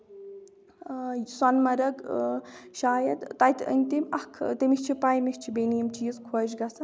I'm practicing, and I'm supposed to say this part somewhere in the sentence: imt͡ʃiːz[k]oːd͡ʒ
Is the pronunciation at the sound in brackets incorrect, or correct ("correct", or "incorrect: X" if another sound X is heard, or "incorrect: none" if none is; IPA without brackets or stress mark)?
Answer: incorrect: kʰ